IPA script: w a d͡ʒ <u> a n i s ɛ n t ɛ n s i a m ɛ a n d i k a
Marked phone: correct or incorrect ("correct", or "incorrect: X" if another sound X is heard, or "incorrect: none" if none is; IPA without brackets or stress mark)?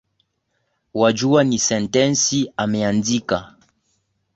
correct